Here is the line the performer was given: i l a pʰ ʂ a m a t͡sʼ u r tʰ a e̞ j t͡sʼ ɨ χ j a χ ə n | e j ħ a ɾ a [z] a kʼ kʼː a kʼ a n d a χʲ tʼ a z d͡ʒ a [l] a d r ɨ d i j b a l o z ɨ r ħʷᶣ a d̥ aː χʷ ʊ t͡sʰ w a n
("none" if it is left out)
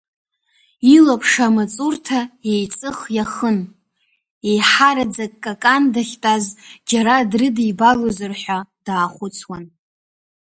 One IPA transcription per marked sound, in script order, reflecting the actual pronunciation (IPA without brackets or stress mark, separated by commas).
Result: d͡z, ɾ